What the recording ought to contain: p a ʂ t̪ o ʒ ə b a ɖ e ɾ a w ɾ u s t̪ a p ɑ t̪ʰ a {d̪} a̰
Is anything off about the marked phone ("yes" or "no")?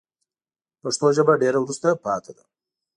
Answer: no